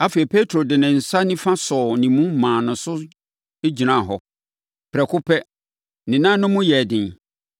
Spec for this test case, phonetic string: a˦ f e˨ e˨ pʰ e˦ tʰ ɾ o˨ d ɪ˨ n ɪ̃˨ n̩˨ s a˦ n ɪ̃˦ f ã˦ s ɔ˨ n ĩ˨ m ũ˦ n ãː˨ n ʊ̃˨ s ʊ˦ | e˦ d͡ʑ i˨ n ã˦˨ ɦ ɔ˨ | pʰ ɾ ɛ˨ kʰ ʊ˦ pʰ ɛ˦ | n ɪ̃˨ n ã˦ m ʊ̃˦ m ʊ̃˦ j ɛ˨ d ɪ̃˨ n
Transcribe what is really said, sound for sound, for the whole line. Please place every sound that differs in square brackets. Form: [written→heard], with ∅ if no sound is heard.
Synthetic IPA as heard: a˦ f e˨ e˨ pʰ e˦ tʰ ɾ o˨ d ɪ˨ n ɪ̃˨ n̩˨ s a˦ n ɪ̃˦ f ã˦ s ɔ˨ n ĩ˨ m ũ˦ [n→m] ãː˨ n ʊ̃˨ s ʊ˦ | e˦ d͡ʑ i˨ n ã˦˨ ɦ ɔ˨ | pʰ ɾ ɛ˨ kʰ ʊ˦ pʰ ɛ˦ | n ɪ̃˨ n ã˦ [m→n] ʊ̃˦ m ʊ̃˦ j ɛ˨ d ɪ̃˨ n

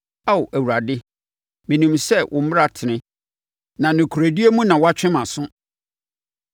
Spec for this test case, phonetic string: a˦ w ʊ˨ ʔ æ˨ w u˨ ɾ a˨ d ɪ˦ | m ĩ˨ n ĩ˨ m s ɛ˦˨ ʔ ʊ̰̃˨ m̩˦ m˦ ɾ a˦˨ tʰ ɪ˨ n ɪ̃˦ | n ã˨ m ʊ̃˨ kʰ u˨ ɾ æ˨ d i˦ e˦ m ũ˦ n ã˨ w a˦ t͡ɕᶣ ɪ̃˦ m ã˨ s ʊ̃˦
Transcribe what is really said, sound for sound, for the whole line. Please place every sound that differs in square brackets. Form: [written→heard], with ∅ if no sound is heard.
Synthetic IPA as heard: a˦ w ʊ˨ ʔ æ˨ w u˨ ɾ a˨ d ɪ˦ | m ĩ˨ n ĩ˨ m s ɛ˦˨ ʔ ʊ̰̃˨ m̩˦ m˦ ɾ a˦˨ tʰ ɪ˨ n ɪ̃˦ | n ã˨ [m→n] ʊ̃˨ kʰ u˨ ɾ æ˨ d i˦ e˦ m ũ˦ n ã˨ w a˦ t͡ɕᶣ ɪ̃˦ m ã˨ s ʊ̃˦

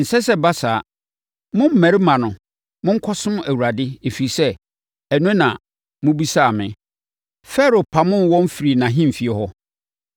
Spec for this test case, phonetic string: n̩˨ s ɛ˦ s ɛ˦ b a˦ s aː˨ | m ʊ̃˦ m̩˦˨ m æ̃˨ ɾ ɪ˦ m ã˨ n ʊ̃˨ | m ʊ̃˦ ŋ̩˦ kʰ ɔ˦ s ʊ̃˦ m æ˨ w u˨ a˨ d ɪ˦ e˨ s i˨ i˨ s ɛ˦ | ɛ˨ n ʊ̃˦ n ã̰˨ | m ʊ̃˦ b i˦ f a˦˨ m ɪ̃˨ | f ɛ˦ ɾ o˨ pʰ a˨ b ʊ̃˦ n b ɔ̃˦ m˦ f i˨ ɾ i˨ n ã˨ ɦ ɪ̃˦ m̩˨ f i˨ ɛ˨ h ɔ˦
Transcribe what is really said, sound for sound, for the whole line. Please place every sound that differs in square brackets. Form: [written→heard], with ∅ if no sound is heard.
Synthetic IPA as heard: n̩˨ s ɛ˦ s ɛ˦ b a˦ s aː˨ | m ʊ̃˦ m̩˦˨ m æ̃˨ ɾ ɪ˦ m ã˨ n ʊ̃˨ | m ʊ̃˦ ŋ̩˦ kʰ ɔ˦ s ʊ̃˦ m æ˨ w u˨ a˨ d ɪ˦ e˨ [s→f] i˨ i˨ s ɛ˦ | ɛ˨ n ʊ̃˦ n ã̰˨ | m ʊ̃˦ b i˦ [f→s] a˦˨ m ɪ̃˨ | f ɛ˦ ɾ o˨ pʰ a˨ [b→m] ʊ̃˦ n [b→w] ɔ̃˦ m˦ f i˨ ɾ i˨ n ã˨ ɦ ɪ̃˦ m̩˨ f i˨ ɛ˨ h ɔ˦

